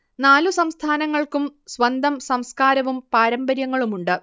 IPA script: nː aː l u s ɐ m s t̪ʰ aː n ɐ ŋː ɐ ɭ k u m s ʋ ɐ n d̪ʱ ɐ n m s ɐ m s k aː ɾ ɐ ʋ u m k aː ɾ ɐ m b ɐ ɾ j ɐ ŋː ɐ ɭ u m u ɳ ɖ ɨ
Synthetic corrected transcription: n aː l u s ɐ m s t̪ʰ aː n ɐ ŋː ɐ ɭ k u m s ʋ ɐ n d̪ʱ ɐ m s ɐ m s k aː ɾ ɐ ʋ u m p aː ɾ ɐ m b ɐ ɾ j ɐ ŋː ɐ ɭ u m u ɳ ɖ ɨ

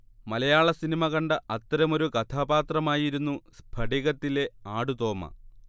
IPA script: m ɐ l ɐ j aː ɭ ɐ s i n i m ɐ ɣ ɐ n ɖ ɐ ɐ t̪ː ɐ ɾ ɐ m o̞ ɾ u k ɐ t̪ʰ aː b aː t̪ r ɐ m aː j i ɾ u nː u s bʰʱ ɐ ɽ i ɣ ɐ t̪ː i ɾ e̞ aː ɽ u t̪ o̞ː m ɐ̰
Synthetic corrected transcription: m ɐ l ɐ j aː ɭ ɐ s i n i m ɐ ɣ ɐ ɳ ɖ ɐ ɐ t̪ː ɐ ɾ ɐ m o̞ ɾ u k ɐ t̪ʰ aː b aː t̪ r ɐ m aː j i ɾ u nː u s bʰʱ ɐ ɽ i ɣ ɐ t̪ː i l e̞ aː ɽ u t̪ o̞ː m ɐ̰

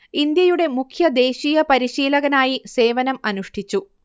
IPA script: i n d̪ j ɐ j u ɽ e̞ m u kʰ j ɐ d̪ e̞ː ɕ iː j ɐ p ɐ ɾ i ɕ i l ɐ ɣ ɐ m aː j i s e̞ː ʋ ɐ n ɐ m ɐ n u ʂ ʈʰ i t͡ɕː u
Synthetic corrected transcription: i n d̪ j ɐ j u ɽ e̞ m u kʰ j ɐ d̪ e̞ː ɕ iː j ɐ p ɐ ɾ i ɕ iː l ɐ ɣ ɐ n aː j i s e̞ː ʋ ɐ n ɐ m ɐ n u ʂ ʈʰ i t͡ɕː u

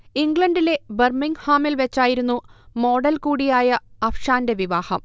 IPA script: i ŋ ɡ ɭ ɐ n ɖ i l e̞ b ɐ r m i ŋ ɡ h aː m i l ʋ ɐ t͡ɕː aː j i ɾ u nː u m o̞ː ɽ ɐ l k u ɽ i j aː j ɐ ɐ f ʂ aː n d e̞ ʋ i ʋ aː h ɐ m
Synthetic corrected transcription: i ŋ ɡ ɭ ɐ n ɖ i l e̞ b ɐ r m i ŋ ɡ h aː m i l ʋ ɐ t͡ɕː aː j i ɾ u nː u m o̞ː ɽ ɐ l k uː ɽ i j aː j ɐ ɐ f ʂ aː n d e̞ ʋ i ʋ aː h ɐ m

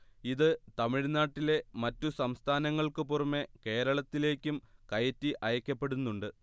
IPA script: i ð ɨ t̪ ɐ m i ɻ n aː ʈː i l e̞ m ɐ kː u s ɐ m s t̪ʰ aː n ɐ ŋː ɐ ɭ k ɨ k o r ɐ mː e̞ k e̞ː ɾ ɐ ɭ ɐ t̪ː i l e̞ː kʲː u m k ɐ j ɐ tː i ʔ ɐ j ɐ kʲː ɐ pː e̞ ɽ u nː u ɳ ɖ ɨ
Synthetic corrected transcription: i ð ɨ t̪ ɐ m i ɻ n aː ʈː i l e̞ m ɐ tː u s ɐ m s t̪ʰ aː n ɐ ŋː ɐ ɭ k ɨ p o r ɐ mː e̞ k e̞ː ɾ ɐ ɭ ɐ t̪ː i l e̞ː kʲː u m k ɐ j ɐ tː i ʔ ɐ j ɐ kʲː ɐ pː e̞ ɽ u nː u ɳ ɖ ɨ

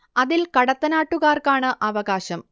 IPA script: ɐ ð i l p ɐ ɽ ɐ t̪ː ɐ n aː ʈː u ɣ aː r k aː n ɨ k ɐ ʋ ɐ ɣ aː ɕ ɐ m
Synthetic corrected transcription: ɐ ð i l k ɐ ɽ ɐ t̪ː ɐ n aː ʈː u ɣ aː r k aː ɳ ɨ ʔ ɐ ʋ ɐ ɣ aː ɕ ɐ m

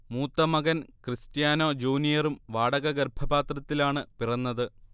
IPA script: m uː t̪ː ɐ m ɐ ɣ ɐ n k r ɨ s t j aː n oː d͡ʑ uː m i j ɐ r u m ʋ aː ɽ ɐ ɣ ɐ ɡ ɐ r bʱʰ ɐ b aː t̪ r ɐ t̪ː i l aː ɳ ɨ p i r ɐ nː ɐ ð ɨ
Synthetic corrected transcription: m uː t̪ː ɐ m ɐ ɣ ɐ n k r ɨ s t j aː n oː d͡ʑ uː n i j ɐ r u m ʋ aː ɽ ɐ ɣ ɐ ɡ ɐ r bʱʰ ɐ b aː t̪ r ɐ t̪ː i l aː ɳ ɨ p i r ɐ nː ɐ ð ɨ

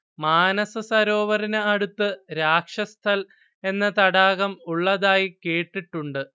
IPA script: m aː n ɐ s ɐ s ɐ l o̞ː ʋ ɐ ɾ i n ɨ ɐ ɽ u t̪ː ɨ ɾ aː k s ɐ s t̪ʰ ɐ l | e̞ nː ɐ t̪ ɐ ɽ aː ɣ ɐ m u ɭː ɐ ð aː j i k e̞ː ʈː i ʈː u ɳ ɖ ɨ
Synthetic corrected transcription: m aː n ɐ s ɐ s ɐ ɾ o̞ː ʋ ɐ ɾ i n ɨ ɐ ɽ u t̪ː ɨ ɾ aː k ʂ ɐ s t̪ʰ ɐ l | e̞ nː ɐ t̪ ɐ ɽ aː ɣ ɐ m u ɭː ɐ ð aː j i k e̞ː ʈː i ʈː u ɳ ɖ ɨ

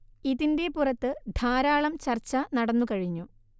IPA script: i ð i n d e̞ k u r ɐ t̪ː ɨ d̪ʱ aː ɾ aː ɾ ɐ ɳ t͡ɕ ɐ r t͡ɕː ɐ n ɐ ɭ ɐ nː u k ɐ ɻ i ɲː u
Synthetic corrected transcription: i ð i n d e̞ p u r ɐ t̪ː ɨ d̪ʱ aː ɾ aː ɭ ɐ m t͡ɕ ɐ r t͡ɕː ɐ n ɐ ɽ ɐ nː u k ɐ ɻ i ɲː u

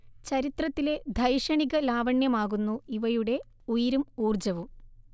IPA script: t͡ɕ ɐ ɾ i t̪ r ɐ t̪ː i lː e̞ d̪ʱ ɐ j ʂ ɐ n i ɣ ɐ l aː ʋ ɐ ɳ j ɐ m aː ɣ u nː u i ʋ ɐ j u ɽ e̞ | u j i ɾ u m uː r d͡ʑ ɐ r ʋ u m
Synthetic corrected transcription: t͡ɕ ɐ ɾ i t̪ r ɐ t̪ː i l e̞ d̪ʱ ɐ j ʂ ɐ ɳ i ɣ ɐ l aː ʋ ɐ ɳ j ɐ m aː ɣ u nː u i ʋ ɐ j u ɽ e̞ | u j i ɾ u m uː r d͡ʑ ɐ ʋ u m

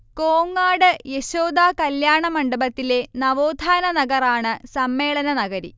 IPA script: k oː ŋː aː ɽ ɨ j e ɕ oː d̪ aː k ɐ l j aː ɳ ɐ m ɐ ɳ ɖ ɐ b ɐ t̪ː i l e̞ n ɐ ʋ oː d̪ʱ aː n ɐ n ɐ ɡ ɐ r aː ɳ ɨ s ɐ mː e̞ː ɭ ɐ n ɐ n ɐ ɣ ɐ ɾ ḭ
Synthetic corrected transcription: k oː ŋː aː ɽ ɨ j e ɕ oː d̪ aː k ɐ l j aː ɳ ɐ m ɐ ɳ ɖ ɐ b ɐ t̪ː i l e̞ n ɐ ʋ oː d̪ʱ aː n ɐ n ɐ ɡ ɐ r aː ɳ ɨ s ɐ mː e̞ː ɭ ɐ n ɐ n ɐ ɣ ɐ ɾ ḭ

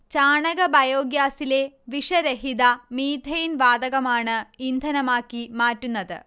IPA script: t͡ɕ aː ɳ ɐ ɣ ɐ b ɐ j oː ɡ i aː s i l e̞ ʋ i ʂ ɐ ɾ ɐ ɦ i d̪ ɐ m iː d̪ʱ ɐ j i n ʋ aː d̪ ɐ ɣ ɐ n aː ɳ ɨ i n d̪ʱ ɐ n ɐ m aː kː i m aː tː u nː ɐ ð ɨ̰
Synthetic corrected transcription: t͡ɕ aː ɳ ɐ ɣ ɐ b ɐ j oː ɡ j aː s i l e̞ ʋ i ʂ ɐ ɾ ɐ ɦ i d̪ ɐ m iː d̪ʱ ɐ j i n ʋ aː d̪ ɐ ɣ ɐ m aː ɳ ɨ i n d̪ʱ ɐ n ɐ m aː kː i m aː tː u nː ɐ ð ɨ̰

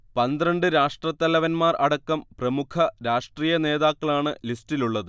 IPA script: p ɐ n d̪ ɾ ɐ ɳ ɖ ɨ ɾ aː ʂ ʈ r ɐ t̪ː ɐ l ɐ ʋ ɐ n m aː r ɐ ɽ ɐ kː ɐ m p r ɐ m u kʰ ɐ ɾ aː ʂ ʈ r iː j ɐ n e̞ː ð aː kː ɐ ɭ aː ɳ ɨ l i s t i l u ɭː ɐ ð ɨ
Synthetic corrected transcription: p ɐ n d̪ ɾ ɐ ɳ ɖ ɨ ɾ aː ʂ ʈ r ɐ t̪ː ɐ l ɐ ʋ ɐ n m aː r ɐ ɽ ɐ kː ɐ m p r ɐ m u kʰ ɐ ɾ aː ʂ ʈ r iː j ɐ n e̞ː ð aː kː ɐ ɭ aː ɳ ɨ l i s t i l u ɭː ɐ ð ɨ

